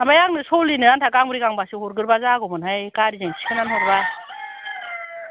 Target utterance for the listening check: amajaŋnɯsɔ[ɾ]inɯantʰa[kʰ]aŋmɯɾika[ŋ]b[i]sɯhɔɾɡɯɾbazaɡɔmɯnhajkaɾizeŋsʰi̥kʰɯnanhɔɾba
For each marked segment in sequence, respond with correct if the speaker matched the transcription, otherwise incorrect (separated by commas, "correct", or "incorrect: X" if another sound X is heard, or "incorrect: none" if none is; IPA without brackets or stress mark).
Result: incorrect: l, incorrect: k, correct, incorrect: a